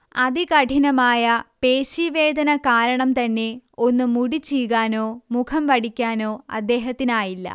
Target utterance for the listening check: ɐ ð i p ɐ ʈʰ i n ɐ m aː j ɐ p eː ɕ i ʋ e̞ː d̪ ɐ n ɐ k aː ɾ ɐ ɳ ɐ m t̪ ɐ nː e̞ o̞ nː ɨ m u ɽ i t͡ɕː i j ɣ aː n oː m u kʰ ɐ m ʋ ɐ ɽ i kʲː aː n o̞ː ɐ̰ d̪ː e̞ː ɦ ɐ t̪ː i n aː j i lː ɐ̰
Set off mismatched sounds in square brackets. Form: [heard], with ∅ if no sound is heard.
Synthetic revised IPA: ɐ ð i [k] ɐ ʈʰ i n ɐ m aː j ɐ p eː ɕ i ʋ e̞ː d̪ ɐ n ɐ k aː ɾ ɐ ɳ ɐ m t̪ ɐ nː e̞ o̞ nː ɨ m u ɽ i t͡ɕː i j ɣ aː n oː m u kʰ ɐ m ʋ ɐ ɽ i kʲː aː n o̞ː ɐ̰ d̪ː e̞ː ɦ ɐ t̪ː i n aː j i lː ɐ̰